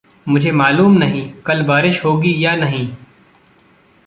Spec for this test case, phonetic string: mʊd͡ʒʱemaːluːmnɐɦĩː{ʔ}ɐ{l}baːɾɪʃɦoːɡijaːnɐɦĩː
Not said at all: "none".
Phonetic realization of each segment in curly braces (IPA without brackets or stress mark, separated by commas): k, l